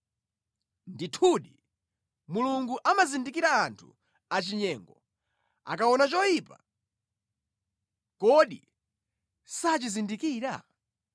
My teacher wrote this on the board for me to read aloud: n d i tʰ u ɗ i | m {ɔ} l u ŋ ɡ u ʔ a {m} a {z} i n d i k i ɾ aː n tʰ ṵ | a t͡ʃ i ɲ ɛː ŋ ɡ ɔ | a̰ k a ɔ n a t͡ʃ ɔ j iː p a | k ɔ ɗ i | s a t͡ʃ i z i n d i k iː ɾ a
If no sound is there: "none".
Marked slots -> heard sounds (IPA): u, m, z

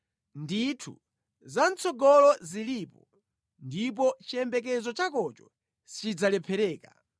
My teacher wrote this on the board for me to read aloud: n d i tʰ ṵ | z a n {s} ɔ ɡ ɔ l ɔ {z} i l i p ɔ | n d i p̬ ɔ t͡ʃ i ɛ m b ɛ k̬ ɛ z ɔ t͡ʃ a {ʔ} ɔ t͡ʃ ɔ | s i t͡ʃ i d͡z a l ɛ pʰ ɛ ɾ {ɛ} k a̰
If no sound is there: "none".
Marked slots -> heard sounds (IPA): t͡s, z, k, ɛː

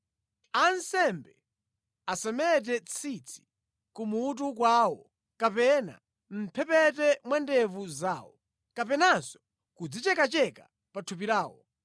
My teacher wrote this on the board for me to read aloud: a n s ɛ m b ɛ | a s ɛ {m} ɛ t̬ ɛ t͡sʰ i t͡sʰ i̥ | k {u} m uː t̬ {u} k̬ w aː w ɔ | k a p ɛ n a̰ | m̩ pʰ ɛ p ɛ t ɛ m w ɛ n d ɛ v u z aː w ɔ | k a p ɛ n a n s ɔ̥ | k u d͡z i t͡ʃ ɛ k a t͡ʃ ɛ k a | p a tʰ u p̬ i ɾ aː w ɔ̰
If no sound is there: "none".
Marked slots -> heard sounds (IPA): m, u, u

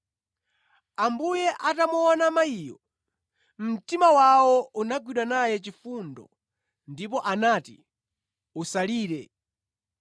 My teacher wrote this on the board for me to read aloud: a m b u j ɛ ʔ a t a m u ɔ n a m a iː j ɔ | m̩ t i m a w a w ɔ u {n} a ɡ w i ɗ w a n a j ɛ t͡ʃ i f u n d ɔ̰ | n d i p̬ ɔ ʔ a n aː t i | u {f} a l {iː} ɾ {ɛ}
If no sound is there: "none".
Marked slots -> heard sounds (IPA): n, s, iː, ɛ

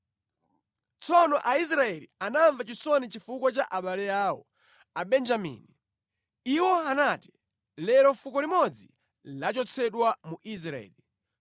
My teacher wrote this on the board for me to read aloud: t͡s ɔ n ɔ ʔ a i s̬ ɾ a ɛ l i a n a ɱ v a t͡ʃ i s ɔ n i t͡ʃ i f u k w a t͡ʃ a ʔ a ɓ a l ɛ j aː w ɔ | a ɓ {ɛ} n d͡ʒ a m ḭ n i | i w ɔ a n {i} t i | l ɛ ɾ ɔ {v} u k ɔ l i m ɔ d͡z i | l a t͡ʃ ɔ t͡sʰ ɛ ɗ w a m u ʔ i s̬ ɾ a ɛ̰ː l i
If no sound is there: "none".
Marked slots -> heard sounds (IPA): ɛ, a, f

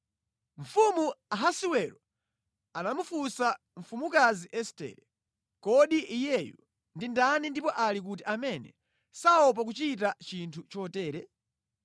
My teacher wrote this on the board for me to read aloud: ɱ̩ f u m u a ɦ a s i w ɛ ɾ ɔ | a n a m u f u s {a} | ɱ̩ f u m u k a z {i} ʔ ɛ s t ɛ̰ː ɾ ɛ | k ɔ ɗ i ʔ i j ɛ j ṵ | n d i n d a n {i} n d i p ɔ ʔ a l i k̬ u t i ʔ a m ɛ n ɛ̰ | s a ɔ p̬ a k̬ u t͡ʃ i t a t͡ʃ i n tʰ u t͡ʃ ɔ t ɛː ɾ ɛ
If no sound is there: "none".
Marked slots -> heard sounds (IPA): a, i, i

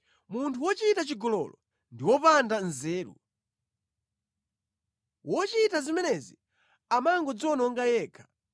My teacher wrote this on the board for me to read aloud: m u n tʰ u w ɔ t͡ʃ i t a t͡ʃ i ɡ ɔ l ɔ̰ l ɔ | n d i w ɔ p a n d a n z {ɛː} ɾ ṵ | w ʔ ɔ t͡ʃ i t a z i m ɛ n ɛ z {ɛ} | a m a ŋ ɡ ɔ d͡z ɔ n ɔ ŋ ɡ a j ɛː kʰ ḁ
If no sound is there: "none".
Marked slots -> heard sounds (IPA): ɛː, i

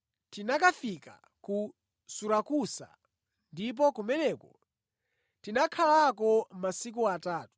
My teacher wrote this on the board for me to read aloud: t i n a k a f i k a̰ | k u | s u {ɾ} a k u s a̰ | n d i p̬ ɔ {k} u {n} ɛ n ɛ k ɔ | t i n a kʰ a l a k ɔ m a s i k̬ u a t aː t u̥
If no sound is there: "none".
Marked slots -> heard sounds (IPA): ɾ, k, m

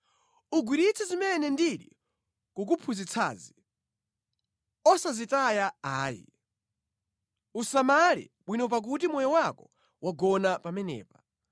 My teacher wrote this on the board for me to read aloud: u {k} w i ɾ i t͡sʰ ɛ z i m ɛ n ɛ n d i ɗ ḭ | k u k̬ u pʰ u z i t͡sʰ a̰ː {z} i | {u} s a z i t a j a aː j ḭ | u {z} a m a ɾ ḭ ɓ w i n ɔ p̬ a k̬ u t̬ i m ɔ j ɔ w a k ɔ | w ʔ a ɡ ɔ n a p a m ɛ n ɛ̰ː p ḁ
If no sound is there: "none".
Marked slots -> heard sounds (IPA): ɡ, z, ɔ, s

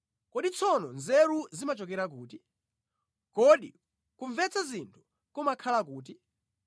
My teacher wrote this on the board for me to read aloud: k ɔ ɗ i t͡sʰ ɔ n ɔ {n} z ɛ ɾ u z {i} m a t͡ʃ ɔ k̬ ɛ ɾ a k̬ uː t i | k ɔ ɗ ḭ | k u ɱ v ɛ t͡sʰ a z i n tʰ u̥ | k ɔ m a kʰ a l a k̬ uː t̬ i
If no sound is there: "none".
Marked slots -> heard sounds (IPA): n, i

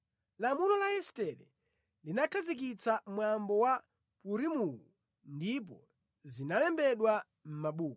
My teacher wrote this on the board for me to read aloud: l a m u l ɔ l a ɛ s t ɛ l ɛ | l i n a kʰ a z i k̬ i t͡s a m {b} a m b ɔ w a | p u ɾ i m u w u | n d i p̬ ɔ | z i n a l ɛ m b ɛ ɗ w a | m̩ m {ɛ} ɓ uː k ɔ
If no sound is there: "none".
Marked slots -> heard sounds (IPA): w, a

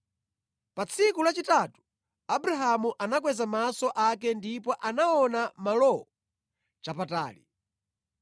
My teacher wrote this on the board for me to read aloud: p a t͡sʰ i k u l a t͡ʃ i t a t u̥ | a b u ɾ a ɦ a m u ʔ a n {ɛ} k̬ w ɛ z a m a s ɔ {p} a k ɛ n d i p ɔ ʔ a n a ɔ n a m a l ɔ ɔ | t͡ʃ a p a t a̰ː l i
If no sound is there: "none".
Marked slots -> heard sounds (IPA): a, ʔ

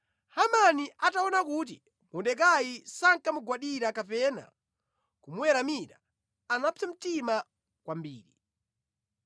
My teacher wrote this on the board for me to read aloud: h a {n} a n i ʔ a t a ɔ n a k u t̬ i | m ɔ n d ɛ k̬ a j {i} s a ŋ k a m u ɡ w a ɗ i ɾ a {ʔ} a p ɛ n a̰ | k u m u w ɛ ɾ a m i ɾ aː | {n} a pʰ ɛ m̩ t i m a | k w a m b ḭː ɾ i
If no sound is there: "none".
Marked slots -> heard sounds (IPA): m, i, k, n

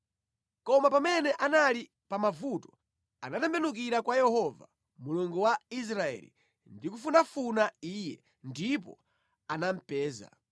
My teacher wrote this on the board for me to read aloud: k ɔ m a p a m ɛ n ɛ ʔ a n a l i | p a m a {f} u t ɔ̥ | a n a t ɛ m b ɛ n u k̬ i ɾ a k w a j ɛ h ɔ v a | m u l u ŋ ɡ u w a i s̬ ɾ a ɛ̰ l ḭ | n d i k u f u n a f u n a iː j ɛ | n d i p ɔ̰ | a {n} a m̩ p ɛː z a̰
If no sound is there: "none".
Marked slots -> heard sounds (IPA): v, n

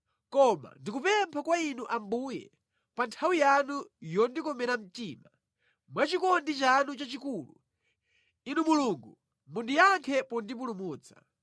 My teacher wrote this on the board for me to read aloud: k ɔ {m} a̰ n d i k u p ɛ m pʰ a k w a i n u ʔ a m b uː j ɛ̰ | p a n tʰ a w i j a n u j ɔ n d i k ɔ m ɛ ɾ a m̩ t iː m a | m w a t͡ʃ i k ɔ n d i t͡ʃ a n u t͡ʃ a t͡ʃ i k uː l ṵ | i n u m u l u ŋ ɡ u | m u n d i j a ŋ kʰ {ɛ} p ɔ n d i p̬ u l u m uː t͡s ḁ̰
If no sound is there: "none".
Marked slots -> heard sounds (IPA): m, ɛ

